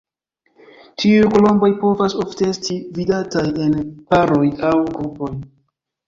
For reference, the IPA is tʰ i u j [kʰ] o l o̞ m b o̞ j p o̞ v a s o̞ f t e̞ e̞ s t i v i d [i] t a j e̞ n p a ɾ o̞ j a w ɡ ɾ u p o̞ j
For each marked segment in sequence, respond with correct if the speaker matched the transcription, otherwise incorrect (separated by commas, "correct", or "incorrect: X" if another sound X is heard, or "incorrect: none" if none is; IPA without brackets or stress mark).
incorrect: k, incorrect: a